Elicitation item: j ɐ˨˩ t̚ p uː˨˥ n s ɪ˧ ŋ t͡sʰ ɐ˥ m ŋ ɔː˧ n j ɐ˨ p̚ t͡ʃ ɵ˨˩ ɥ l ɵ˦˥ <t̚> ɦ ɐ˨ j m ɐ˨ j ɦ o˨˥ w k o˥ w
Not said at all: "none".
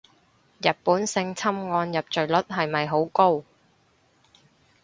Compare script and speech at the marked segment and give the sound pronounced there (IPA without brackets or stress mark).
t̚